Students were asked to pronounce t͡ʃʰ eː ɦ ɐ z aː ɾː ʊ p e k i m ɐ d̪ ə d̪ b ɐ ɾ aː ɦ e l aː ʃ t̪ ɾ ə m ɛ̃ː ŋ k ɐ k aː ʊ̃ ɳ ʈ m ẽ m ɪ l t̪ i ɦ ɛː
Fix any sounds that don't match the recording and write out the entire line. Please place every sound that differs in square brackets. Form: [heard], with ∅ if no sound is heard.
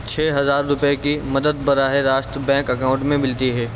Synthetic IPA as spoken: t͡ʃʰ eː ɦ ɐ z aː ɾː ʊ p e k i m ɐ d̪ ə d̪ b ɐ ɾ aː ɦ e [ɾ] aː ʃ t̪ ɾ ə [b] ɛ̃ː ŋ k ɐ k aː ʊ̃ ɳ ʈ m ẽ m ɪ l t̪ i ɦ ɛː